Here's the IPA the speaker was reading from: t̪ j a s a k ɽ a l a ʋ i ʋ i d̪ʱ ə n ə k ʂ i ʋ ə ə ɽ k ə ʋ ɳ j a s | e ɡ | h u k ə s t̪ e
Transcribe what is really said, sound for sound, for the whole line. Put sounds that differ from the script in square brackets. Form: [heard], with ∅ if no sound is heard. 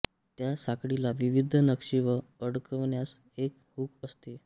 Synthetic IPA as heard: t̪ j a s a k ɽ [i] l a ʋ i ʋ i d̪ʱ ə n ə k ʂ i ʋ ə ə ɽ k ə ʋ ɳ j a s | e [k] | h u k ə s t̪ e